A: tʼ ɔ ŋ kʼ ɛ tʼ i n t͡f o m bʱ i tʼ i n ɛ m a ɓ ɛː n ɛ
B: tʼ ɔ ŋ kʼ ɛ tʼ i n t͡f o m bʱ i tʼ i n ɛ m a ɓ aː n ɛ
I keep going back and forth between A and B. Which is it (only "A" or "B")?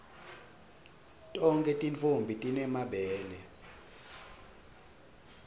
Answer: A